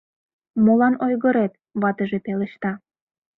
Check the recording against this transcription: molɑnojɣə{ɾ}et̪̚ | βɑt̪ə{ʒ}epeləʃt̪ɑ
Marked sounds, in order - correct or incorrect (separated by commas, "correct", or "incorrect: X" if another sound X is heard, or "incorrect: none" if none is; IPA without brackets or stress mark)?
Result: correct, correct